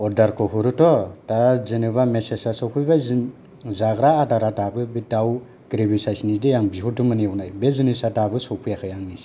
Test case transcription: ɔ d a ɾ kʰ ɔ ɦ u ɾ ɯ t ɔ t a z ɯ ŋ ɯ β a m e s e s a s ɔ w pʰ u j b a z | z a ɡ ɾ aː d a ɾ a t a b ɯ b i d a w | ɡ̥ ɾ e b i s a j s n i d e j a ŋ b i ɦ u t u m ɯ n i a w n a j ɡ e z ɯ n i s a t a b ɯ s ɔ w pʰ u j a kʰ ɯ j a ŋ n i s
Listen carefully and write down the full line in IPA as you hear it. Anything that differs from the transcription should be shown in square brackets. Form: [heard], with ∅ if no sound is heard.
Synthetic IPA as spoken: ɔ d a ɾ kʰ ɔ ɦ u ɾ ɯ t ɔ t a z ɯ [n] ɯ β a m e s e s a s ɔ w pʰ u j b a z | z a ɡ ɾ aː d a ɾ a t a b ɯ b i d a w | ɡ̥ ɾ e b i s a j s n i d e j a ŋ b i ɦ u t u m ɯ n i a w n a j [b] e z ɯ n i s a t a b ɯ s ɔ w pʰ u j a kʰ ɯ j a ŋ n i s